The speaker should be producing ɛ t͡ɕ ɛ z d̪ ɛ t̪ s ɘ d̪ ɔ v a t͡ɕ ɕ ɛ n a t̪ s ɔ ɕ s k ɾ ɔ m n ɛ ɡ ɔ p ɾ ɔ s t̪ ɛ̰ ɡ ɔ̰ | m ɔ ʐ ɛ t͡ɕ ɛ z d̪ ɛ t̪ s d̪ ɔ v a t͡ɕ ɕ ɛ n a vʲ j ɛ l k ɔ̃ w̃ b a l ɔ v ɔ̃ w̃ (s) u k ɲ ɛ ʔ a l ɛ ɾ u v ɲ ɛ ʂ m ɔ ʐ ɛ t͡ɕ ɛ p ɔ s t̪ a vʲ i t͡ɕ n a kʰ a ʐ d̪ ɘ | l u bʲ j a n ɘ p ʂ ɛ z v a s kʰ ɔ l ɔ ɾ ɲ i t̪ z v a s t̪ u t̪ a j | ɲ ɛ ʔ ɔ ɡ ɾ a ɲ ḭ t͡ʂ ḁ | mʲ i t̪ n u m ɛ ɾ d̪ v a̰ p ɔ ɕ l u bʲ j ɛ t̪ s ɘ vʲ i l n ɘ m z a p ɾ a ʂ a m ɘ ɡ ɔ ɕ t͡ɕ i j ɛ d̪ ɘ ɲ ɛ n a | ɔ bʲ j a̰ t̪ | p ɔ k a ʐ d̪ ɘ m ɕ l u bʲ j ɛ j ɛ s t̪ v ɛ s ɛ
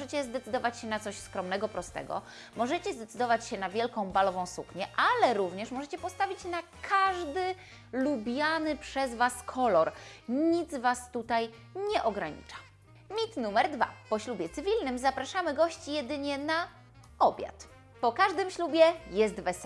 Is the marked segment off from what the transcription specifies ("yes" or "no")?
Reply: no